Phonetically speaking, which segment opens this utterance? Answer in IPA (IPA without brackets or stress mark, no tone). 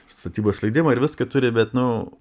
s